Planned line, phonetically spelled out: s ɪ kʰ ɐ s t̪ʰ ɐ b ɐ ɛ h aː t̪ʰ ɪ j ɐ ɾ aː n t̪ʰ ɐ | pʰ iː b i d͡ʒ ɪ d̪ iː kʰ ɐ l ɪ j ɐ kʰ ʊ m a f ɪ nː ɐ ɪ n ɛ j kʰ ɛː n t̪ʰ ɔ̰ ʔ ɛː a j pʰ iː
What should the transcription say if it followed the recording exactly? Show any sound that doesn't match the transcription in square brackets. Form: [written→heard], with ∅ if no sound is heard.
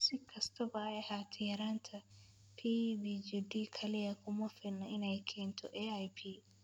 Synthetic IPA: s ɪ kʰ ɐ s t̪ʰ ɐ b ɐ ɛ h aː t̪ʰ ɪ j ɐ ɾ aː n t̪ʰ ɐ | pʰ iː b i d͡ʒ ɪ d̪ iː kʰ ɐ l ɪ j ɐ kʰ ʊ m [a→ɐ] f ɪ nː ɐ ɪ n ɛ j kʰ ɛː n t̪ʰ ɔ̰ ʔ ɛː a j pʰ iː